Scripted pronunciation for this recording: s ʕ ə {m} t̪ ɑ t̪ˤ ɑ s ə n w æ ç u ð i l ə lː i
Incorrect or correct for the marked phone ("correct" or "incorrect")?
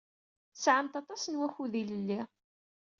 correct